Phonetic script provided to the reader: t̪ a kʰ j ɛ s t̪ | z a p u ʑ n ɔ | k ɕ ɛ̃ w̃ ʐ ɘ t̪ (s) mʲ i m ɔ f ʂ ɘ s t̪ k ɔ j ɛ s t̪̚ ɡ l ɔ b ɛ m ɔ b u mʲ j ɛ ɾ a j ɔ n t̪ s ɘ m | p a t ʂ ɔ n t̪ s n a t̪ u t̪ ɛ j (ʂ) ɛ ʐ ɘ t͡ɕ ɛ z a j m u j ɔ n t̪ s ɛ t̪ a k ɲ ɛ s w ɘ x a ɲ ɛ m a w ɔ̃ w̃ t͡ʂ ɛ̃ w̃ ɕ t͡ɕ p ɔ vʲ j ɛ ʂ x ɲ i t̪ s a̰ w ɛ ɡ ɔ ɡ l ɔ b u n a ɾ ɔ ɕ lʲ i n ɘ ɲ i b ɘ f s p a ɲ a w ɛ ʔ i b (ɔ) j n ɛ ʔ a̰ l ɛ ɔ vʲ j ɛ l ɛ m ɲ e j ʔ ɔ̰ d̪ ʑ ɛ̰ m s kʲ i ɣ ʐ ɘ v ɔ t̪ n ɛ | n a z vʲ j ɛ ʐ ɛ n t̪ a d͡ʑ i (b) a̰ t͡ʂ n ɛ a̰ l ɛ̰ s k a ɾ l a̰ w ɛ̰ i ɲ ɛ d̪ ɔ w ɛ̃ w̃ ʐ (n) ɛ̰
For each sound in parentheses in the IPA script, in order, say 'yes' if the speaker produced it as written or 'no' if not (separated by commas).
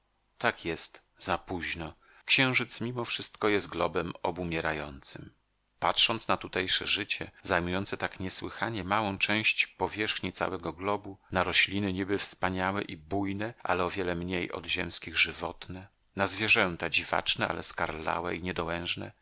yes, yes, no, no, yes